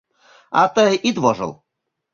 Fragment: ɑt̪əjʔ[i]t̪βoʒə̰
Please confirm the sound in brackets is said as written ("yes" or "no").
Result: yes